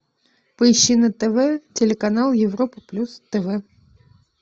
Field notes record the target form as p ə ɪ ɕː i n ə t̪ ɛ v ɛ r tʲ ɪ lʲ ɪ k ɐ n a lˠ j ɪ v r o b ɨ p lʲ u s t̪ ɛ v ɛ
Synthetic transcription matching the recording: p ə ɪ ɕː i n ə t̪ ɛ v ɛ tʲ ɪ lʲ ɪ k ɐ n a lˠ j ɪ v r o p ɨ p lʲ u s t̪ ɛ v ɛ